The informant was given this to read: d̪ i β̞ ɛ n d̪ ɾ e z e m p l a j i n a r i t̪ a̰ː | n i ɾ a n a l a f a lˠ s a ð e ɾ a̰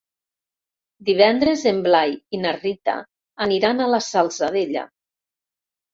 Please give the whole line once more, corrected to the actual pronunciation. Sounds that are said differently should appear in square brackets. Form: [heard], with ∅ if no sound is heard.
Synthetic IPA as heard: d̪ i β̞ ɛ n d̪ ɾ e z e m [b] l a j i n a r i t̪ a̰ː | n i ɾ a n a l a [s] a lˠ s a ð e [ʎ] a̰

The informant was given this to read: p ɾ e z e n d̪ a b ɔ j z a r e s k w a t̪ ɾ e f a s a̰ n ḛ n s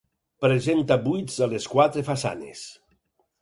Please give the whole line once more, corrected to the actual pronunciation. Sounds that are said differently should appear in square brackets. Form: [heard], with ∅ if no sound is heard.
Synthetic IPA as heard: p ɾ e z e n [t̪] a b [u] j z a [l] e s k w a t̪ ɾ e f a s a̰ n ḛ [∅] s

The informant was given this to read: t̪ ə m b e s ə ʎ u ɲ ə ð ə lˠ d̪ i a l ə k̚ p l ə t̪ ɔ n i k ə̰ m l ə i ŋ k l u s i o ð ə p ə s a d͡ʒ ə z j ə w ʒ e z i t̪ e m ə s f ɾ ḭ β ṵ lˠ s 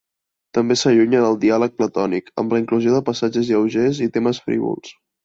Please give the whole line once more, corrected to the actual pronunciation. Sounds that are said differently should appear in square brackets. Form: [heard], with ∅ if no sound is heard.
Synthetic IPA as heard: t̪ ə m b e s ə ʎ u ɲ ə ð ə lˠ d̪ i a l ə k̚ p l ə t̪ ɔ n i k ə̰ m l ə i ŋ k l u [z] i o ð ə p ə s a d͡ʒ ə z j ə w ʒ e z i t̪ e m ə s f ɾ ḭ β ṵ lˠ s

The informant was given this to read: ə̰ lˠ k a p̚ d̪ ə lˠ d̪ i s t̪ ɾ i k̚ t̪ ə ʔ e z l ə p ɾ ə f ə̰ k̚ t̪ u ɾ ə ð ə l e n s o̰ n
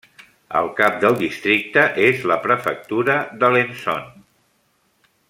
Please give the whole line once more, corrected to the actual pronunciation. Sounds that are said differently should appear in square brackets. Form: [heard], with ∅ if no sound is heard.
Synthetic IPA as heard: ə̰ lˠ k a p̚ d̪ ə lˠ d̪ i s t̪ ɾ i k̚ t̪ ə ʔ e z l ə p ɾ ə f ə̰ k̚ t̪ u ɾ ə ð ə l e n s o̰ n

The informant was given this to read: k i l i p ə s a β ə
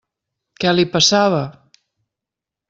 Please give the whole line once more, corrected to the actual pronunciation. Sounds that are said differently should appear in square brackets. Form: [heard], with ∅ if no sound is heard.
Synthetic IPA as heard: k [ɛ] l i p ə s a β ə

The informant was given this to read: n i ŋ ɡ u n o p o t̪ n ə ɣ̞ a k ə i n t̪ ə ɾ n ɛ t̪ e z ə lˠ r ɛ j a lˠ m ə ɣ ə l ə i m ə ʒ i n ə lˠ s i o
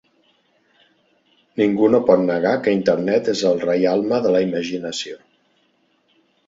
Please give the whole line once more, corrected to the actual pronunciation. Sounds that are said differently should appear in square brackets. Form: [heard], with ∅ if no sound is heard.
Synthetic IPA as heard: n i ŋ ɡ u n o p [ɔ] t̪ n ə ɣ̞ a k ə i n t̪ ə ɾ n ɛ t̪ e z ə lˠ r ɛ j a lˠ m ə [ð] ə l ə i m ə ʒ i n ə [∅] s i o

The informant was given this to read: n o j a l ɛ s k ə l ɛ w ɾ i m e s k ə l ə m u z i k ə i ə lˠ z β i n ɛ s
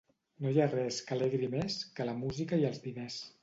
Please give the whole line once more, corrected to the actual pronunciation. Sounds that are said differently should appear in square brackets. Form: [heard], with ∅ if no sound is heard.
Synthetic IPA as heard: n o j a [r] ɛ s k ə l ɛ [ɣ] ɾ i m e s k ə l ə m u z i k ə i ə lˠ z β i n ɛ s

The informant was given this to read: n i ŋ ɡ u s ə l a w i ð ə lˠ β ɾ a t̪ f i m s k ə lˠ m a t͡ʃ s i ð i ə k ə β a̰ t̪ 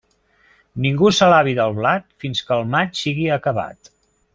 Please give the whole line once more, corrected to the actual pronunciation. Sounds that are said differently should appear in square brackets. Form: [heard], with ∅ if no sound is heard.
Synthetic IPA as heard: n i ŋ ɡ u s ə l a [β] i ð ə lˠ β [l] a t̪ f i [n] s k ə lˠ m a t͡ʃ s i [ɣ] i ə k ə β a̰ t̪

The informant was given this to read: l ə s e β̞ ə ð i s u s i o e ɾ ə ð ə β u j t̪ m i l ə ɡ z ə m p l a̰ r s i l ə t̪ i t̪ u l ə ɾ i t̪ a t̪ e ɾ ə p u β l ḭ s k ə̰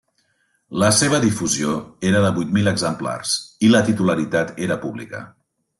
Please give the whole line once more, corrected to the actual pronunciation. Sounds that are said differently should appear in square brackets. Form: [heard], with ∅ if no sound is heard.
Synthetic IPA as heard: l ə s e β̞ ə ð i [f] u [z] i o e ɾ ə ð ə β u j t̪ m i l ə ɡ z ə m p l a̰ r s i l ə t̪ i t̪ u l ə ɾ i t̪ a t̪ e ɾ ə p u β l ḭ [∅] k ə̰

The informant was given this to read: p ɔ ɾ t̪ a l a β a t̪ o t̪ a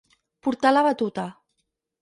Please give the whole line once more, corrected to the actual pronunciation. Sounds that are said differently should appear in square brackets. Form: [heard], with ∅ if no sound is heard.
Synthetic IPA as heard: p [u] ɾ t̪ a l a β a t̪ [u] t̪ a

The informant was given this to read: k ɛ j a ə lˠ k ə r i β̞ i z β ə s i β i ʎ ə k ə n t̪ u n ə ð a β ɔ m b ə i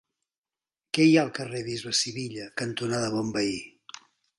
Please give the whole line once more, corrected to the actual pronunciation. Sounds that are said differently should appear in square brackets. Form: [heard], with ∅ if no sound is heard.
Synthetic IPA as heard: k ɛ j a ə lˠ k ə r [e] β̞ i z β ə s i β i ʎ ə k ə n t̪ u n [a] ð [ə] β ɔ m b ə i

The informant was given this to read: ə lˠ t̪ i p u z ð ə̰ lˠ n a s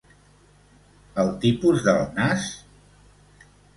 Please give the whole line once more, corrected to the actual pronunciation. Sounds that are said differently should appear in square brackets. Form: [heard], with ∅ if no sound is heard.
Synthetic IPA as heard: ə lˠ t̪ i p u z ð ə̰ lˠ n a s

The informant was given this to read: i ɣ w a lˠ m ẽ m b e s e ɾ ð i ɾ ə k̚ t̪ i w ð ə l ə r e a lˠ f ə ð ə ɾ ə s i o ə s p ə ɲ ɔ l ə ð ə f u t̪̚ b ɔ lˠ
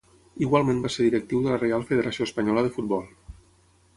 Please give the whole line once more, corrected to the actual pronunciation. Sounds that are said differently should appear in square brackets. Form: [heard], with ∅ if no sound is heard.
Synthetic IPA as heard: i ɣ w a lˠ m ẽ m b [a] s e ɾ ð i ɾ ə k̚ t̪ i w ð ə l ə r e a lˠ f ə ð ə ɾ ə s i o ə s p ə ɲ ɔ l ə ð ə f u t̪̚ b ɔ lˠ

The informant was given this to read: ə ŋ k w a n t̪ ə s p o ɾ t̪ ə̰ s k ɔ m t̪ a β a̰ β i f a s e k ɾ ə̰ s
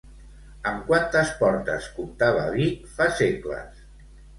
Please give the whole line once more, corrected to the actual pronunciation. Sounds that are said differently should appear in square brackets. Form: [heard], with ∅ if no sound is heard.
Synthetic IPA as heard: ə [m] k w a n t̪ ə s p [ɔ] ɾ t̪ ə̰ s k [u] m t̪ a β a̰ β i f a s e k [l] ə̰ s

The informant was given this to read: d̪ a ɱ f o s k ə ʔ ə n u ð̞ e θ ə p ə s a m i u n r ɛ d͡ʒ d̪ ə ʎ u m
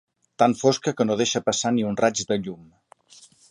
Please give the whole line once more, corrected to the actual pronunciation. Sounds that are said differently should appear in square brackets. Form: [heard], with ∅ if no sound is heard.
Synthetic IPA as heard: [t̪] a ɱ f o s k ə [k] ə n [o] ð̞ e [ʃ] ə p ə s a [n] i u n r [a] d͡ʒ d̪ ə ʎ u m

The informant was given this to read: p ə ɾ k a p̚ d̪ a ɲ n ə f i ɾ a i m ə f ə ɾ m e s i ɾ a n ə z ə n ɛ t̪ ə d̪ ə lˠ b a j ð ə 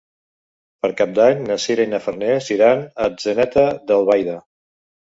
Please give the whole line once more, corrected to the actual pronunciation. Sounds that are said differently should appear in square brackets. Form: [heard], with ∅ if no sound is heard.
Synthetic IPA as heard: p ə ɾ k a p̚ d̪ a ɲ n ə [s] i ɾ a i [n] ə f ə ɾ [n] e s i ɾ a n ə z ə n ɛ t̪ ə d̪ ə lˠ [β] a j ð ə

